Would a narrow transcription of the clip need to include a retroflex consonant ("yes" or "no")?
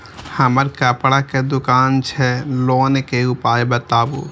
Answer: yes